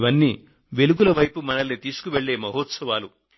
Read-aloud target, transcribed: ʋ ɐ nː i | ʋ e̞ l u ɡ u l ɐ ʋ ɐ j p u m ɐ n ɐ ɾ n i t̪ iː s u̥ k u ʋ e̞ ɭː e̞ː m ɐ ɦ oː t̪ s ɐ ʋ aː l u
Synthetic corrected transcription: ʋ ɐ nː i | ʋ e̞ l u ɡ u l ɐ ʋ ɐ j p u m ɐ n ɐ l n i t̪ iː s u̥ k u ʋ e̞ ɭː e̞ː m ɐ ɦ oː t̪ s ɐ ʋ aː l u